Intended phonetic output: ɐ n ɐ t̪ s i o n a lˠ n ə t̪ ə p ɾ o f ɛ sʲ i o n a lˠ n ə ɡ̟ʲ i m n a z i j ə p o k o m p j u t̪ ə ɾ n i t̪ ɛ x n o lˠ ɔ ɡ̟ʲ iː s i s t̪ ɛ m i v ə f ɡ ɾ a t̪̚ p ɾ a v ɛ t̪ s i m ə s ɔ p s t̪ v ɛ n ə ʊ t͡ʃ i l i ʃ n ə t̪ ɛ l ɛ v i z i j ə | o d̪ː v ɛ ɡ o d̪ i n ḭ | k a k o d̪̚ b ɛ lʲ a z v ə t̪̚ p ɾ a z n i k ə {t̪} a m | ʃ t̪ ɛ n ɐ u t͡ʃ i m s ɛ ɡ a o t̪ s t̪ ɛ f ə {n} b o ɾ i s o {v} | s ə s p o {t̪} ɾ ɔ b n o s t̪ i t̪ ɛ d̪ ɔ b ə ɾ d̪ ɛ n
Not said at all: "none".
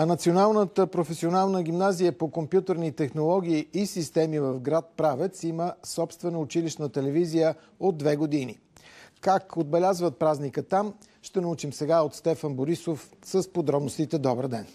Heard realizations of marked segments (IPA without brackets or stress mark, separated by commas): t̪, n, f, d̪